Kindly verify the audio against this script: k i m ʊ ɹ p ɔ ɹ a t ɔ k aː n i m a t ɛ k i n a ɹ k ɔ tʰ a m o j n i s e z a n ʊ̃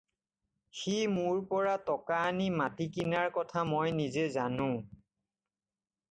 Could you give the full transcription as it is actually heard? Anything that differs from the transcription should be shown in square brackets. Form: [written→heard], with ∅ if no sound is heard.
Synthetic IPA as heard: [k→x] i m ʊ ɹ p ɔ ɹ a t ɔ k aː n i m a t [ɛ→i] k i n a ɹ k ɔ tʰ a m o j n i [s→z] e z a n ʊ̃